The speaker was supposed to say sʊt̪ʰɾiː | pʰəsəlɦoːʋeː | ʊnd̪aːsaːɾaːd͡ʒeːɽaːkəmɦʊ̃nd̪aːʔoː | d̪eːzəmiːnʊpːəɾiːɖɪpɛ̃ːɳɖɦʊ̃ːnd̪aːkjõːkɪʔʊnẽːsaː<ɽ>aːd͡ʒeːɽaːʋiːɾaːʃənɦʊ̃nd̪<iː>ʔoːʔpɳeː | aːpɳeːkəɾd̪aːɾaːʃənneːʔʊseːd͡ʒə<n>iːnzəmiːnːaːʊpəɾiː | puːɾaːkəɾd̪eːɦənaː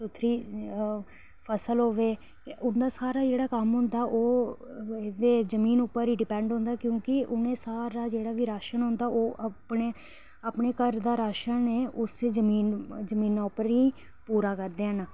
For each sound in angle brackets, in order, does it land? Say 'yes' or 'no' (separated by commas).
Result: no, no, no